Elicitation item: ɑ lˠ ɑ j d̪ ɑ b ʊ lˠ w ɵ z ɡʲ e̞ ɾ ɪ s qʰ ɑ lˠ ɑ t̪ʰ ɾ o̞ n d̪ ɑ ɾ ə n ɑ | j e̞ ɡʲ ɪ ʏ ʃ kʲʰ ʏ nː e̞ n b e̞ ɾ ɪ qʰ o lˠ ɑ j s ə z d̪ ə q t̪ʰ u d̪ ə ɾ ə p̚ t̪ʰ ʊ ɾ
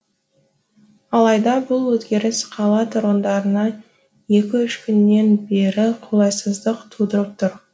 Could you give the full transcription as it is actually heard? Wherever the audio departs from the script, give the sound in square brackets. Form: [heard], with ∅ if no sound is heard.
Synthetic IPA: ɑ lˠ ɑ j d̪ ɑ b ʊ lˠ w ɵ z ɡʲ e̞ ɾ ɪ s qʰ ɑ lˠ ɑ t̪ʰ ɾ o̞ n d̪ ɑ ɾ ə n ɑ | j e̞ [kʲ] ɪ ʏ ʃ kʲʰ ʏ nː e̞ n b e̞ ɾ ɪ qʰ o lˠ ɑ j s ə z d̪ ə q t̪ʰ u d̪ ə ɾ ə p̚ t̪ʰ ʊ ɾ